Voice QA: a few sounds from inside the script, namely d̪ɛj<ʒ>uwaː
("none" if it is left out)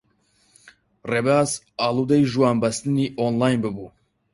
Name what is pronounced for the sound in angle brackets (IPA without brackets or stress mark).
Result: ʒ